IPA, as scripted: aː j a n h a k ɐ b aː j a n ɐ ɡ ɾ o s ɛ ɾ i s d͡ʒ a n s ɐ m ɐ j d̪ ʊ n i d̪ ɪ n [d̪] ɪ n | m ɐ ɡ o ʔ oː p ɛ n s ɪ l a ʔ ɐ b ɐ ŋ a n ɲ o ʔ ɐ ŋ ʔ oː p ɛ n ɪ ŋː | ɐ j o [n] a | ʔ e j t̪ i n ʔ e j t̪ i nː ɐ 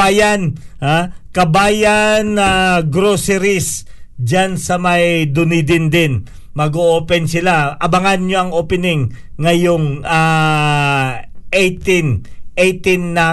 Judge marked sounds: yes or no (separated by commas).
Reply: yes, no